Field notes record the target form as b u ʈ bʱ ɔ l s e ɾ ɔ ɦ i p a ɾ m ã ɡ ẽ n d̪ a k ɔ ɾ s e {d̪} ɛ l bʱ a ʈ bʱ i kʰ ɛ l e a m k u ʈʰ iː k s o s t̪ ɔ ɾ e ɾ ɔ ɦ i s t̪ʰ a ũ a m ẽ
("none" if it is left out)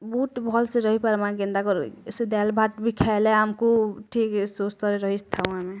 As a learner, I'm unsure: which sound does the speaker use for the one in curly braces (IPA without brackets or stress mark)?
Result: d̪